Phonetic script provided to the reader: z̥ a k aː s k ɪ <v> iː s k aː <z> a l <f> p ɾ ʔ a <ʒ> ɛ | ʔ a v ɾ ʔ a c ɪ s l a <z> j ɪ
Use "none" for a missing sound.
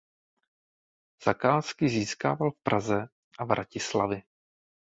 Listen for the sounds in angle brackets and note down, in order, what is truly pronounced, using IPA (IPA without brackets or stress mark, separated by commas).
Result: z, v, f, z, v